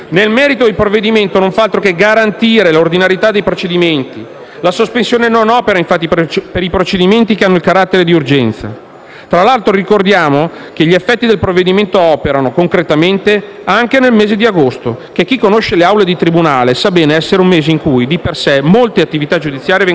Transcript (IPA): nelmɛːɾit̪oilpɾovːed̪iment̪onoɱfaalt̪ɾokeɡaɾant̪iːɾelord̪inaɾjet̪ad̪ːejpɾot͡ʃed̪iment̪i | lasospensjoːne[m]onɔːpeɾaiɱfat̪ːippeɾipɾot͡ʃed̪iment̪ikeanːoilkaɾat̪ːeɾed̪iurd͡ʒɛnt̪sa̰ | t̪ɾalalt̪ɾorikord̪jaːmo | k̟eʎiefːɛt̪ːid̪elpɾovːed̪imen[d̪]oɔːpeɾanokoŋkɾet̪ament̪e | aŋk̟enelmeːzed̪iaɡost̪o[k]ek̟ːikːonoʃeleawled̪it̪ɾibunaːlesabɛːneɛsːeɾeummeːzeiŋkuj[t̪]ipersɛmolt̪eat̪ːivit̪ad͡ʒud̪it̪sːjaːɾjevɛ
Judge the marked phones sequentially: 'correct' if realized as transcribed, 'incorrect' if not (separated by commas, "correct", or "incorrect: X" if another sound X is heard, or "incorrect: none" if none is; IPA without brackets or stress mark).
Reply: incorrect: n, incorrect: t̪, correct, incorrect: d̪